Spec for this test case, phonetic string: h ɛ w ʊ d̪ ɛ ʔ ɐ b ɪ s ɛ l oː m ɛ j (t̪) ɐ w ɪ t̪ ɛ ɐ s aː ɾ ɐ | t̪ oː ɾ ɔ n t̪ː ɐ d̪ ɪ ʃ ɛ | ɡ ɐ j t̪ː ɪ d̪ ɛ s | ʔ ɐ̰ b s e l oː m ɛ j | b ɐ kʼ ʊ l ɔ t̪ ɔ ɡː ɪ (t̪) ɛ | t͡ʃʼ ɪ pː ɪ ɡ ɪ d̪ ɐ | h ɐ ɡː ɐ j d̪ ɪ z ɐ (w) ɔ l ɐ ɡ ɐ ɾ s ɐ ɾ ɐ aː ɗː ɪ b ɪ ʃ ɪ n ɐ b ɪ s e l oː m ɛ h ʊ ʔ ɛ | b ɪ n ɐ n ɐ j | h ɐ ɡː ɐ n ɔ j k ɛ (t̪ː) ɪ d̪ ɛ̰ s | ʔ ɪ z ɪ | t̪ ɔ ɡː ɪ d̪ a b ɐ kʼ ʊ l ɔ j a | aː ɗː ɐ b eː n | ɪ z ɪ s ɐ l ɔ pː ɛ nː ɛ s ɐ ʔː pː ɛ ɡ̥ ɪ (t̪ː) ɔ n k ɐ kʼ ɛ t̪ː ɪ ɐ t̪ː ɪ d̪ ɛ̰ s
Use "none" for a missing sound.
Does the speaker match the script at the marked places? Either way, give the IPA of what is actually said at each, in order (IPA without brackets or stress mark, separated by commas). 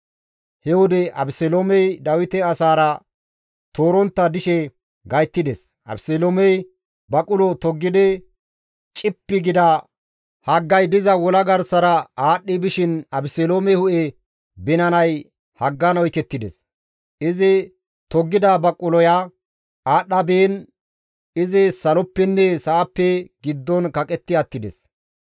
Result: d̪, d̪, w, t̪ː, d̪ː